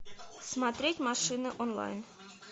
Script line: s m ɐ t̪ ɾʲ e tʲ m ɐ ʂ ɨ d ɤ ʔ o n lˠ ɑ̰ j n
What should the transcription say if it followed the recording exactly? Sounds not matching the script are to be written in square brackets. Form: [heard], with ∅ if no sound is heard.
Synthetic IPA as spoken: s m [ɑ] t̪ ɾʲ e tʲ m [ɑ] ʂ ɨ [n] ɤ ʔ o n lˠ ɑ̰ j n

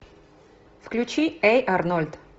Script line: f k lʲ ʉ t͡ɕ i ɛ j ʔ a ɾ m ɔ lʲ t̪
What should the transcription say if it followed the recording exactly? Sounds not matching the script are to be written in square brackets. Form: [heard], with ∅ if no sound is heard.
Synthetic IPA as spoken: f k lʲ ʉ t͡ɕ i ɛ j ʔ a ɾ [n] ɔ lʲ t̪

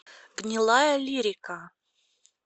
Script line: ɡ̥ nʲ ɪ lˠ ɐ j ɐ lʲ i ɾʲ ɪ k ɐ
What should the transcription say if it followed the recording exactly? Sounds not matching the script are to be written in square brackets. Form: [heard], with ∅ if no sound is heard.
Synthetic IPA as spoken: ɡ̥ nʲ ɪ lˠ [a] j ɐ lʲ i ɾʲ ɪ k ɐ

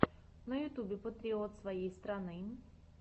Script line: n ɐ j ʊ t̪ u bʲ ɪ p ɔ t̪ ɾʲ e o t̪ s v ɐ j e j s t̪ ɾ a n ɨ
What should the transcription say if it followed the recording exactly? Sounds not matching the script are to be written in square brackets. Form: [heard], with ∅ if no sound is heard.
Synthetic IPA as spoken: n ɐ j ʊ t̪ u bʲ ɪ p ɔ t̪ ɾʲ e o t̪ s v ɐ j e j s t̪ ɾ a n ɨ

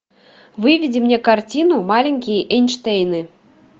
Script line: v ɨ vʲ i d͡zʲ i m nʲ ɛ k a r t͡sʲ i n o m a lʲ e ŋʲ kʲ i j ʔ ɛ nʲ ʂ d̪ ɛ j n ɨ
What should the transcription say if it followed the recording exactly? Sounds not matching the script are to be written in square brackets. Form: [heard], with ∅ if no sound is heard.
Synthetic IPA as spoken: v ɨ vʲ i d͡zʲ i m nʲ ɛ k a r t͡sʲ i n [u] m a lʲ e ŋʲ kʲ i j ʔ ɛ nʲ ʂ [t̪] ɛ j n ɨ

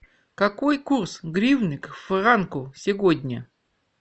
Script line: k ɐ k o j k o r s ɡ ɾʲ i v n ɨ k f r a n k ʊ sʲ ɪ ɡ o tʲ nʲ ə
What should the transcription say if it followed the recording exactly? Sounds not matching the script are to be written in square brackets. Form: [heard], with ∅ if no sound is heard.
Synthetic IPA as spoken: k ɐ k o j k [u] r s ɡ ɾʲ i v n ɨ k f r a n k ʊ sʲ ɪ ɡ o [dʲ] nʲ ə

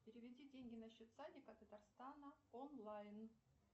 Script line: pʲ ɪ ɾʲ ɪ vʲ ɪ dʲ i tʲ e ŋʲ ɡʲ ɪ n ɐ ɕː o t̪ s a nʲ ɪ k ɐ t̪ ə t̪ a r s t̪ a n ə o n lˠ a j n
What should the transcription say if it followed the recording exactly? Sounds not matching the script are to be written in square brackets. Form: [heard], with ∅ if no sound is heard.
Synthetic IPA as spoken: pʲ ɪ ɾʲ ɪ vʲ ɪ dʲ i [dʲ] e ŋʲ ɡʲ ɪ n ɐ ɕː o t̪ s a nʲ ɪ k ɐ t̪ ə t̪ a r s t̪ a n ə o n lˠ a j n

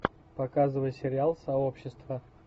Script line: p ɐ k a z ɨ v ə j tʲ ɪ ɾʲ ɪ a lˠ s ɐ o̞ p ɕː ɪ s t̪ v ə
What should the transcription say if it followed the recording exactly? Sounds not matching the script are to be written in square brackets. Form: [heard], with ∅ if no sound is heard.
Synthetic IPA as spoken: p ɐ k a z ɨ v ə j [sʲ] ɪ ɾʲ ɪ a lˠ s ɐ o̞ p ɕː ɪ s t̪ v ə

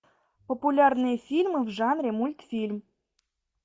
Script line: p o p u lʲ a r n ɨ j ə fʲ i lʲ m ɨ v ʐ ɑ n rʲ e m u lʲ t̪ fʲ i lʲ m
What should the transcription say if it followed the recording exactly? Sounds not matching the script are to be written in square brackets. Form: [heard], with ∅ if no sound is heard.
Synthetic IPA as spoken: p o p u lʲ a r n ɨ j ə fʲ i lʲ m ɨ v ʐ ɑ n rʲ e m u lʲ t̪ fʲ i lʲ m

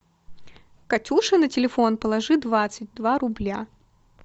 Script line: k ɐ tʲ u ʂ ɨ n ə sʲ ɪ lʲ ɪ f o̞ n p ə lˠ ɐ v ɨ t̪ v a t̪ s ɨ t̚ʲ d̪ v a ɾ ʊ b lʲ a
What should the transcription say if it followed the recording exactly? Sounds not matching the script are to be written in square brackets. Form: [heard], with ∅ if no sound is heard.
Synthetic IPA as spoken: k ɐ tʲ u ʂ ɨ n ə [tʲ] ɪ lʲ ɪ f o̞ n p ə lˠ ɐ [ʐ] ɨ [d̪] v a t̪ s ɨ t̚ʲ d̪ v a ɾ ʊ b lʲ a

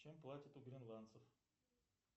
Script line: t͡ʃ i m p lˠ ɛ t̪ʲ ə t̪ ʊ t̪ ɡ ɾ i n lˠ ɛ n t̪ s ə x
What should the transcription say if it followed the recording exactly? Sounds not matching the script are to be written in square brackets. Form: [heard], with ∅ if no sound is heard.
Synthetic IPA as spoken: t͡ʃ [ɛ] m p lˠ [a] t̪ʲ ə t̪ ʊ [∅] ɡ ɾ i n lˠ [a] n t̪ s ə [f]

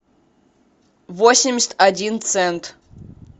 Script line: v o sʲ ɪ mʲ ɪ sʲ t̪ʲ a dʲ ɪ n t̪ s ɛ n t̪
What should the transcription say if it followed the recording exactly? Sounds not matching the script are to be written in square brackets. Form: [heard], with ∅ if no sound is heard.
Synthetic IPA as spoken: v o sʲ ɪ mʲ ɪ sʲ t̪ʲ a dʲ [i] n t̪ s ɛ n t̪

